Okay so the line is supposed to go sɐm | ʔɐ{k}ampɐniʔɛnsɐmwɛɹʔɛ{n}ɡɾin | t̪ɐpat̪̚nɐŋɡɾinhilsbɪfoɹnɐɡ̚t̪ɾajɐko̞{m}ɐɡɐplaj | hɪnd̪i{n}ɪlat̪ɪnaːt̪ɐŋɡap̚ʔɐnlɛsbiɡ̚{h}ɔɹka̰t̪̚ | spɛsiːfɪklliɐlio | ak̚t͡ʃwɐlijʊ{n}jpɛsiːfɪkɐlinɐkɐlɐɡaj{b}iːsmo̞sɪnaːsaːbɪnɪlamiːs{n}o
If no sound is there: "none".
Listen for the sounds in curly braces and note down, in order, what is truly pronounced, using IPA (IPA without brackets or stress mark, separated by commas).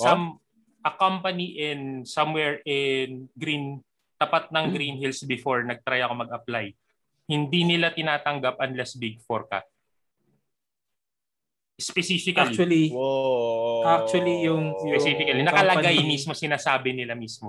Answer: k, n, m, n, f, ŋ, m, m